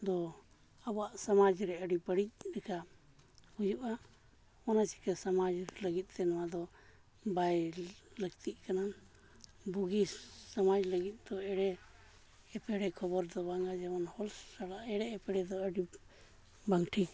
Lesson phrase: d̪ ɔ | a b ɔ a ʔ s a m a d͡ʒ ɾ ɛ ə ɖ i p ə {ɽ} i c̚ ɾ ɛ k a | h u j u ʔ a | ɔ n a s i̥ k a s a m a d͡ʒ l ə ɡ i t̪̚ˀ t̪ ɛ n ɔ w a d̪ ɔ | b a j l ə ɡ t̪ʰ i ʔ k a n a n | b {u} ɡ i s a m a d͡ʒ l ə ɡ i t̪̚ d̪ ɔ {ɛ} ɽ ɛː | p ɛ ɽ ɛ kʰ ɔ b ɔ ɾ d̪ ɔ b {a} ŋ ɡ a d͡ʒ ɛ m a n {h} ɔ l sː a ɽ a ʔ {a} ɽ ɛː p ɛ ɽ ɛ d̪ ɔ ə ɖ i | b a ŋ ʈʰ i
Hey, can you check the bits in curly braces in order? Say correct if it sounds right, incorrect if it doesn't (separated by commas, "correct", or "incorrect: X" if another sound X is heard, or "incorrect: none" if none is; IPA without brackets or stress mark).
correct, correct, correct, correct, correct, incorrect: ɛ